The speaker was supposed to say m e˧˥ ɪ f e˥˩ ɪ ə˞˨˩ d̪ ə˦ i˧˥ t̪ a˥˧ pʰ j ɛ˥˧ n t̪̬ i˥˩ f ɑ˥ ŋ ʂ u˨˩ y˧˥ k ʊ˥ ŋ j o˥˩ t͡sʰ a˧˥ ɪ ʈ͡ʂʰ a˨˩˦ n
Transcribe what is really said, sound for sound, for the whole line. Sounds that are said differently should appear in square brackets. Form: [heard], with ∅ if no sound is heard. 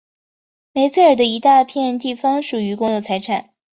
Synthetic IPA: m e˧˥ ɪ f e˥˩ ɪ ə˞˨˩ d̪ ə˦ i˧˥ t̪ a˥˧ pʰ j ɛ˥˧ n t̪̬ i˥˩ f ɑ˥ ŋ ʂ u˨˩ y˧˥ k ʊ˥ ŋ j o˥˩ t͡sʰ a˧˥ ɪ ʈ͡ʂʰ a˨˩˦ n